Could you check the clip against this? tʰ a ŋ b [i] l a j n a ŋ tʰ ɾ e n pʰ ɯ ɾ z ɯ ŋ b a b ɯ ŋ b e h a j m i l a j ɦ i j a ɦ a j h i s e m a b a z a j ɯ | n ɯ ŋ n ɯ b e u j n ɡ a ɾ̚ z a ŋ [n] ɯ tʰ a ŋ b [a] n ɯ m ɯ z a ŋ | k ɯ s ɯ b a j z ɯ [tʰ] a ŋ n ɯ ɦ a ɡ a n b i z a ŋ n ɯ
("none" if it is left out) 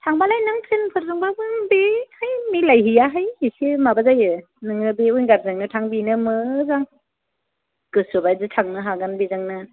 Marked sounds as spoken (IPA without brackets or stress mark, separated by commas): a, n, i, tʰ